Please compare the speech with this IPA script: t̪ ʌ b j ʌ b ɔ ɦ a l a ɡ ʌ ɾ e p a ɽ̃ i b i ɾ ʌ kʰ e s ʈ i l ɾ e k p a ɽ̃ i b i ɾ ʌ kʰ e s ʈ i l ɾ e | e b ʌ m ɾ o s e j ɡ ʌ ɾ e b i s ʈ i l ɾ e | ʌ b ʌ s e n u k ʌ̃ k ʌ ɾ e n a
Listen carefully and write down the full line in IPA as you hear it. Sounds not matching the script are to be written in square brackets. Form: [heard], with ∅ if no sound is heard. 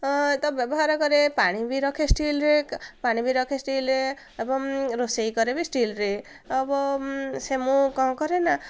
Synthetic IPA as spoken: t̪ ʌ b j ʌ b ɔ ɦ a [ɾ] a ɡ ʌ ɾ e p a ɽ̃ i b i ɾ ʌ kʰ e s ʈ i l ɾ e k p a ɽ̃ i b i ɾ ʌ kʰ e s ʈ i l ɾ e | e b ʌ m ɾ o s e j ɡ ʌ ɾ e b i s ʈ i l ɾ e | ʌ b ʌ s e [m] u k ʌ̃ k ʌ ɾ e n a